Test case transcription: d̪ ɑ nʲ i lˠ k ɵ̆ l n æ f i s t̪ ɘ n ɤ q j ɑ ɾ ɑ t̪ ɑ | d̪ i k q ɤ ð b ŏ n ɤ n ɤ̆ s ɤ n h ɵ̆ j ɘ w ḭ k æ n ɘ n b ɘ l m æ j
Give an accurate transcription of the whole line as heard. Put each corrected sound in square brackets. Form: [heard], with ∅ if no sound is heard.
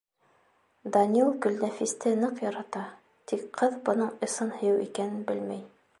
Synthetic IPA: d̪ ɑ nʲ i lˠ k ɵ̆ l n æ f i s t̪ ɘ n ɤ q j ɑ ɾ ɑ t̪ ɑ | [t̪] i k q ɤ ð b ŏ n ɤ [ɴ] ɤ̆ s ɤ n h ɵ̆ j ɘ w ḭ k æ n ɘ n b ɘ l m æ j